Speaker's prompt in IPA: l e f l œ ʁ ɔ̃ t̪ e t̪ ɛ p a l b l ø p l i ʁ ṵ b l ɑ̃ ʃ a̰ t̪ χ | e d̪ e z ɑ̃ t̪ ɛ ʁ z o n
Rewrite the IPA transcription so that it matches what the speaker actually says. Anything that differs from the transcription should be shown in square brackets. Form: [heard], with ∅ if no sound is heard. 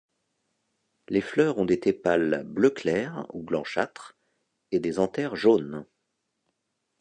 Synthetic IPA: l e f l œ ʁ ɔ̃ [d̪] e t̪ [e] p a l b l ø [k] l [ɛ] ʁ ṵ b l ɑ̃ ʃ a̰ t̪ χ | e d̪ e z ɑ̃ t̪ ɛ ʁ [ʒ] o n